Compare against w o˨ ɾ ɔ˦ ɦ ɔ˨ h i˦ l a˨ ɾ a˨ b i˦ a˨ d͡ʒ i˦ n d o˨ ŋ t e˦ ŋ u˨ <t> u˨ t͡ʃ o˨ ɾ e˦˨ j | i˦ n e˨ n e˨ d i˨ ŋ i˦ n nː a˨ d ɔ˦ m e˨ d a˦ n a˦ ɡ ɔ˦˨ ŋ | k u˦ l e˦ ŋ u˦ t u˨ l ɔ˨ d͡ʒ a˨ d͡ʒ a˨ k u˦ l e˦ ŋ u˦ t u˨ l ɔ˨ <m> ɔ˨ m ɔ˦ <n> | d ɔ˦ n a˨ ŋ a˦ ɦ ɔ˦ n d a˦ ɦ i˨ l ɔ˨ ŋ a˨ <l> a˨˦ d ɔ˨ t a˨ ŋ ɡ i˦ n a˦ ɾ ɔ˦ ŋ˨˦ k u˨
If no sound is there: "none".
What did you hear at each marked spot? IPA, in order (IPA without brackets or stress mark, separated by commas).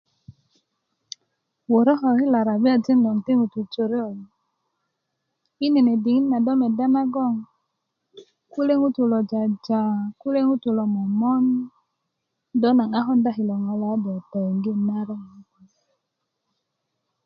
t, m, n, l